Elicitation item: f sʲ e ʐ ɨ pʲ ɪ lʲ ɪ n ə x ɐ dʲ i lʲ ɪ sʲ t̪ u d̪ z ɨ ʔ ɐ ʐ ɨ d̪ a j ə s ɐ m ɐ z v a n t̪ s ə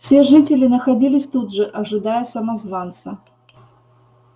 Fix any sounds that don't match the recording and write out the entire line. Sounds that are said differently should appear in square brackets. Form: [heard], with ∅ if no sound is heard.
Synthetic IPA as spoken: f sʲ e ʐ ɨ [tʲ] ɪ lʲ ɪ n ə x ɐ dʲ i lʲ ɪ sʲ t̪ u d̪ [ʐ] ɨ ʔ ɐ ʐ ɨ d̪ a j ə s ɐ m ɐ z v a n t̪ s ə